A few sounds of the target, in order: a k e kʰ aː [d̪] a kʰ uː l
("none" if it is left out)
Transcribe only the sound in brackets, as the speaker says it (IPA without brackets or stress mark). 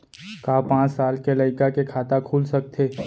t̪